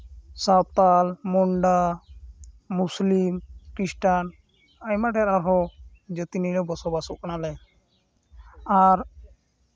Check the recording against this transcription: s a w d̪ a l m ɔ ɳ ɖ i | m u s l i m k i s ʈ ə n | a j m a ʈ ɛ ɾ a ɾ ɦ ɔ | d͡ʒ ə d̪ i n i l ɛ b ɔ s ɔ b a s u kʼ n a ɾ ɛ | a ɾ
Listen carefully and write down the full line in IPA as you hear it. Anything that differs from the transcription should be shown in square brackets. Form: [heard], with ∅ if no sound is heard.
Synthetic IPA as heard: s a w [t̪] a l m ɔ ɳ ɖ [a] | m u s l i m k i s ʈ [a] n | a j m a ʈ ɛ ɾ a ɾ ɦ ɔ | d͡ʒ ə [t̪] i n i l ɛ b ɔ s ɔ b a s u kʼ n a [l] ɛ | a ɾ